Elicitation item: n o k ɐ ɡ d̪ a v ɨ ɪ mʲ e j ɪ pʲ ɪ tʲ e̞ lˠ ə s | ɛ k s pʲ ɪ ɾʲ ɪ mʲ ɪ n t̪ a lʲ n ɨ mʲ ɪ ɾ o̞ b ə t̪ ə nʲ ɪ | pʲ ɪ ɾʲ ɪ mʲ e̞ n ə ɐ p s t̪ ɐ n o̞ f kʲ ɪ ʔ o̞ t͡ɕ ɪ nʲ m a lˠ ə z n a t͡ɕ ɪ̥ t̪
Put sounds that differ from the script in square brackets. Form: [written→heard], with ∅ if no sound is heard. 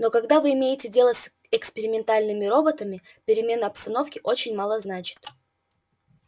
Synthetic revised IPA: n o k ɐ ɡ d̪ a v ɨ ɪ mʲ e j ɪ [pʲ→tʲ] ɪ [tʲ→dʲ] e̞ lˠ ə s | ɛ k s pʲ ɪ ɾʲ ɪ mʲ ɪ n t̪ a lʲ n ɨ mʲ ɪ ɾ o̞ b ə t̪ ə [nʲ→mʲ] ɪ | pʲ ɪ ɾʲ ɪ mʲ e̞ n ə ɐ p s t̪ ɐ n o̞ f kʲ ɪ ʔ o̞ t͡ɕ ɪ nʲ m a lˠ ə z n a t͡ɕ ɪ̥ t̪